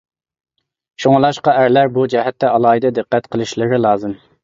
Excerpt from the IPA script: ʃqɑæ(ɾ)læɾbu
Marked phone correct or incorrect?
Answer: correct